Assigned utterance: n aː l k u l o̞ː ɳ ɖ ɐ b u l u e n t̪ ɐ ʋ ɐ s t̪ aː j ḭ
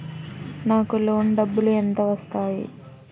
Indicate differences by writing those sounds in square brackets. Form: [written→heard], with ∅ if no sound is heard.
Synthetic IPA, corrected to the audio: n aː [l→∅] k u l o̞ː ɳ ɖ ɐ [b→bː] u l u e n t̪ ɐ ʋ ɐ s t̪ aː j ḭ